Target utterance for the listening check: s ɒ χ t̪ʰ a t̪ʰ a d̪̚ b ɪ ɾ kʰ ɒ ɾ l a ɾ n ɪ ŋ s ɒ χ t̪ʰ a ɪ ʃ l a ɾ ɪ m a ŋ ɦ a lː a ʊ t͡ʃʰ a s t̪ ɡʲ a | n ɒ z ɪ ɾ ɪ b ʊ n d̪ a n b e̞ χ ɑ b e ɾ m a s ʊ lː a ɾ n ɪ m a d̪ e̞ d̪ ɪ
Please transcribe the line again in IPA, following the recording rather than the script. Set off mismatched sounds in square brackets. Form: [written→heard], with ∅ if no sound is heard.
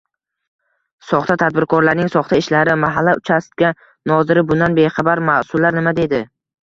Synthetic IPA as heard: s ɒ χ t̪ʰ a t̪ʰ a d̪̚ b ɪ ɾ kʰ ɒ ɾ l a ɾ n ɪ ŋ s ɒ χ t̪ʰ a ɪ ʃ l a ɾ ɪ m a [ŋ→∅] ɦ a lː a ʊ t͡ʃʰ a s t̪ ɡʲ a | n ɒ z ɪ ɾ ɪ b ʊ n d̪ a n b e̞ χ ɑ b [e→a] ɾ m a s ʊ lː a ɾ n ɪ m a d̪ e̞ d̪ ɪ